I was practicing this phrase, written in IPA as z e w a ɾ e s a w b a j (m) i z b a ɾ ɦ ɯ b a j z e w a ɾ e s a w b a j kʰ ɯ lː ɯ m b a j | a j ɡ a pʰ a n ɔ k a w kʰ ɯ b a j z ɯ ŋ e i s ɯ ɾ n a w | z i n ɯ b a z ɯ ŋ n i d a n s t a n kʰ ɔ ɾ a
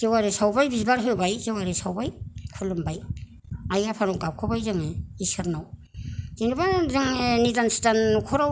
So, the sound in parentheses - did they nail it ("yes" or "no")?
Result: no